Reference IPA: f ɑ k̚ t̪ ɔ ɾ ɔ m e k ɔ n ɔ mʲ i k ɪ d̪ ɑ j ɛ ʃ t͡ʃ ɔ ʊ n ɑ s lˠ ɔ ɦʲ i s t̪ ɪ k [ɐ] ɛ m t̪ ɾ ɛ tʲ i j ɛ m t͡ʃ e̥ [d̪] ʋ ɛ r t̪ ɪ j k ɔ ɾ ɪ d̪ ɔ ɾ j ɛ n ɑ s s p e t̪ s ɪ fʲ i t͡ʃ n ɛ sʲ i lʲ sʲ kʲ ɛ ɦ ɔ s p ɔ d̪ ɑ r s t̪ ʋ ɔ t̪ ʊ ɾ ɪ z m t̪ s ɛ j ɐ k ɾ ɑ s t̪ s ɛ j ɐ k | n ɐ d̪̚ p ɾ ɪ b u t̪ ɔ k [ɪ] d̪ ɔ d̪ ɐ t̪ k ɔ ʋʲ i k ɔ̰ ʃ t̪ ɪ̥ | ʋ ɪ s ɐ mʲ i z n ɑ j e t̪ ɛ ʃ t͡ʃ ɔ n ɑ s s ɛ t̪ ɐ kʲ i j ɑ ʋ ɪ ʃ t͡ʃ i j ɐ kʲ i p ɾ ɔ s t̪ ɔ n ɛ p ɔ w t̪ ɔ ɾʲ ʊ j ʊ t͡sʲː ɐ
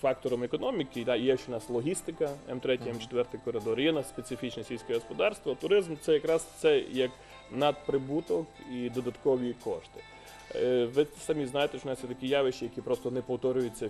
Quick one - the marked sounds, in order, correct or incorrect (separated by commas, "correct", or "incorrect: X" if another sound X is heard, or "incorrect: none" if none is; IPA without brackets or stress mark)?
correct, incorrect: t̪, incorrect: i